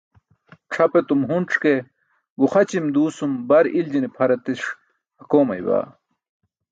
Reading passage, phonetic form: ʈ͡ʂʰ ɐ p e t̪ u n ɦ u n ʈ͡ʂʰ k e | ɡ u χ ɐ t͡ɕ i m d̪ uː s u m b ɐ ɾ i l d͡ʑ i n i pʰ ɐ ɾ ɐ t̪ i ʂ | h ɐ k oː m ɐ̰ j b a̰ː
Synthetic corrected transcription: ʈ͡ʂʰ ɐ p e t̪ u m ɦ u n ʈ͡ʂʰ k e | ɡ u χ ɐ t͡ɕ i m d̪ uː s u m b ɐ ɾ i l d͡ʑ i n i pʰ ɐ ɾ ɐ t̪ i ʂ | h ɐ k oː m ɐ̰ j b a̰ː